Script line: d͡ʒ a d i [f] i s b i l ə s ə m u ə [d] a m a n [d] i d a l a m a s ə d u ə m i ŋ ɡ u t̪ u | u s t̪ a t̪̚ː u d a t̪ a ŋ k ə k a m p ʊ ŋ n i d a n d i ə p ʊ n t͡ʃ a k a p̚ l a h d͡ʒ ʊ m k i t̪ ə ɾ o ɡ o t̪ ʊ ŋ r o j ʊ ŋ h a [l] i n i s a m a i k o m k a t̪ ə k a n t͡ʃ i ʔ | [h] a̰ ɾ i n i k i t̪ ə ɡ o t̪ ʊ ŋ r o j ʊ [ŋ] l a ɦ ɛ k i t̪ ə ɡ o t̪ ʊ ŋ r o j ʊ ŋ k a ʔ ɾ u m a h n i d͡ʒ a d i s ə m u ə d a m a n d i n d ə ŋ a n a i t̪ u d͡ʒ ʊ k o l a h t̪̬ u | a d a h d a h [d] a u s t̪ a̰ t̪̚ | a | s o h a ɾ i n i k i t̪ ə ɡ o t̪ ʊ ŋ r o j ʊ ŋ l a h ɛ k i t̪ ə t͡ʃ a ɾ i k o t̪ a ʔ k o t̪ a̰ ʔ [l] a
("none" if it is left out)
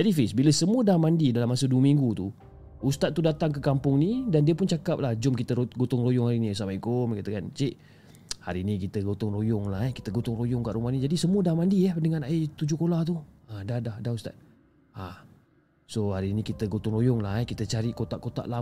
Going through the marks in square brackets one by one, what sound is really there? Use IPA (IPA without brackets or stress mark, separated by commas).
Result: f, d, d, ɾ, h, ŋ, d, l